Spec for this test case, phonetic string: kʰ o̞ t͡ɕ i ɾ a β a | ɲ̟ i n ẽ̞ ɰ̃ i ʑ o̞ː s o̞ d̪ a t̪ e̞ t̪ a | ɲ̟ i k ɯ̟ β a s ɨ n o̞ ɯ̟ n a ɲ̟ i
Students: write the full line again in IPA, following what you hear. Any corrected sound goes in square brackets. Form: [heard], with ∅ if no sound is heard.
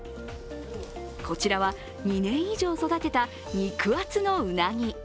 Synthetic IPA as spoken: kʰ o̞ t͡ɕ i ɾ a β a | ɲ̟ i n ẽ̞ ɰ̃ i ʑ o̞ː s o̞ d̪ a t̪ e̞ t̪ a | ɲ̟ i k ɯ̟ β a [t͡s] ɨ n o̞ ɯ̟ n a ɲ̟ i